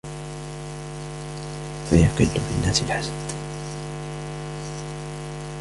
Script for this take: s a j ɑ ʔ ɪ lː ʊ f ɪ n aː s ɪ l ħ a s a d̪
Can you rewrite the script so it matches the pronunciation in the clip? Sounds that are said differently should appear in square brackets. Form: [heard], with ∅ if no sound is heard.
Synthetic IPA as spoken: [f] a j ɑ [q] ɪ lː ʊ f ɪ [nː] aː s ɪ l ħ a s a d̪